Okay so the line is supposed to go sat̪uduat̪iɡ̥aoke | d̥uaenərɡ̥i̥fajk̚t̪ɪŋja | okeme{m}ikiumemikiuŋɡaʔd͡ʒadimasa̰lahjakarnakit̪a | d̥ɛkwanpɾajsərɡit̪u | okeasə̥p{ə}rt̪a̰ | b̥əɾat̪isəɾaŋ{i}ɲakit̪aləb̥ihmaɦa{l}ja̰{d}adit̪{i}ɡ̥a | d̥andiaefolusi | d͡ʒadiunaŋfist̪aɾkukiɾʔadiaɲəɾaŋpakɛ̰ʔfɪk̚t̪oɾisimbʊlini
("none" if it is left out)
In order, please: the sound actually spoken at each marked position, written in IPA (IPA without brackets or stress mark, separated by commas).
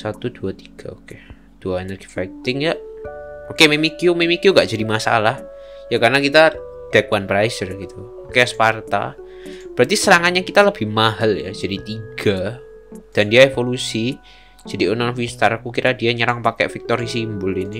m, a, a, l, d͡ʒ, i